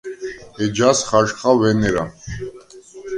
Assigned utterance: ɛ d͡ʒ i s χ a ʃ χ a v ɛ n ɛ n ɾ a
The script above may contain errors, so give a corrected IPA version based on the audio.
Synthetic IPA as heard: ɛ d͡ʒ a s χ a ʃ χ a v ɛ n ɛ ɾ a